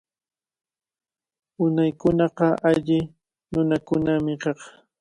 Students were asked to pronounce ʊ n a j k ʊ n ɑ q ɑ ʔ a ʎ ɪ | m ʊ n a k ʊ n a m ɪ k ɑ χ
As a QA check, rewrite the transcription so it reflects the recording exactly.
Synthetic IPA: ʊ n a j k ʊ n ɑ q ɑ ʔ a ʎ ɪ | n ʊ n a k ʊ n a m ɪ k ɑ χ